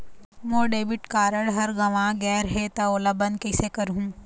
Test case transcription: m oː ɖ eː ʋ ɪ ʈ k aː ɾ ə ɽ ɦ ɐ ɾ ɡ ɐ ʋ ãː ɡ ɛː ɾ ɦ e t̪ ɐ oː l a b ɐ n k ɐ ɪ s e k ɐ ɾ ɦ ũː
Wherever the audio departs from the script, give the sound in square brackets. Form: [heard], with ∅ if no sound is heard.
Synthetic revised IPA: m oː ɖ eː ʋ ɪ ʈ k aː ɾ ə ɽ ɦ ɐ ɾ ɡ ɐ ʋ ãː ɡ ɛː ɾ ɦ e t̪ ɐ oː l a b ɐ n k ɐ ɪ s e k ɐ ɾ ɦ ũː